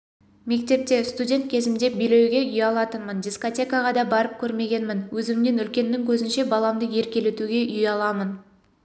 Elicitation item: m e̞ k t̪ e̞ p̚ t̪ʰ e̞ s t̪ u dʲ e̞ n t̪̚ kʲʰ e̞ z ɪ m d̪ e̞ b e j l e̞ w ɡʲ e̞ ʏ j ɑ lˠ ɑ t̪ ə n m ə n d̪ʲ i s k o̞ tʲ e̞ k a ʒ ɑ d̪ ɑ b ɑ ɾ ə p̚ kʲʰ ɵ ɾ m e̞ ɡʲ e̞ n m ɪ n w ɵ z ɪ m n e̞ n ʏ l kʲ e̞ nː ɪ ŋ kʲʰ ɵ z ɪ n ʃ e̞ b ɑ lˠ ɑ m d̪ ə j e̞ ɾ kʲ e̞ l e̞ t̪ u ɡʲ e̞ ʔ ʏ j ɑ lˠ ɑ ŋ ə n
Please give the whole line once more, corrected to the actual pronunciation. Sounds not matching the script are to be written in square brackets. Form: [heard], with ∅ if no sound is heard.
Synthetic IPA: m e̞ k t̪ e̞ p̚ [t̪] e̞ s t̪ u dʲ e̞ n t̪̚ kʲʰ e̞ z ɪ m d̪ e̞ b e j l e̞ w ɡʲ e̞ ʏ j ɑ lˠ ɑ t̪ ə n m ə n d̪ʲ i s k o̞ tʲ e̞ k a [ʁ] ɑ d̪ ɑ b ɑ ɾ ə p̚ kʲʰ ɵ ɾ m e̞ ɡʲ e̞ n m ɪ n w ɵ z ɪ m n e̞ n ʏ l kʲ e̞ nː ɪ ŋ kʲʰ ɵ z ɪ n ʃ e̞ b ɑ lˠ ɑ m d̪ ə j e̞ ɾ kʲ e̞ l e̞ t̪ u ɡʲ e̞ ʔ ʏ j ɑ lˠ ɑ [m] ə n